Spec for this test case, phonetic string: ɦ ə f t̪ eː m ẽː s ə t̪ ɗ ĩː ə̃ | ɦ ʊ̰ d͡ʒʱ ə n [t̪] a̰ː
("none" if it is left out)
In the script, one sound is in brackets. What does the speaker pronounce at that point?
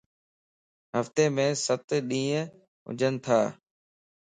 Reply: t̪ʰ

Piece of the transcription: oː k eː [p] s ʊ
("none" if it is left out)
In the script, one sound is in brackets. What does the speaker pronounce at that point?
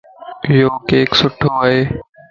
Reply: k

